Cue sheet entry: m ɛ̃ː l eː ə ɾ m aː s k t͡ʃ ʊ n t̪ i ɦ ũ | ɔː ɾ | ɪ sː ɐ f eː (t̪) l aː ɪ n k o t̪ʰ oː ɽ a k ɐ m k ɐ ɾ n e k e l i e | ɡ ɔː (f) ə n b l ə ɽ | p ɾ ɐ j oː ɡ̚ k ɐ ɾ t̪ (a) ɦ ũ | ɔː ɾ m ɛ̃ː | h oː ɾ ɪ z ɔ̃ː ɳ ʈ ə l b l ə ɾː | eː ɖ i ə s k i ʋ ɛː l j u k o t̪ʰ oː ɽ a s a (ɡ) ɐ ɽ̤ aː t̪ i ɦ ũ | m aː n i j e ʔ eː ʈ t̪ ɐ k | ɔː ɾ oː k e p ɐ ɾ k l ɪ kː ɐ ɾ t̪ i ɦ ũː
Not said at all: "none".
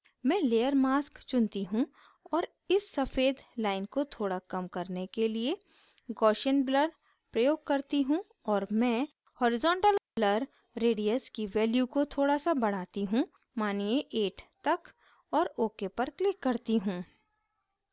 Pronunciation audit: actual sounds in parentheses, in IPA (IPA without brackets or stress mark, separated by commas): d̪, ʃ, i, b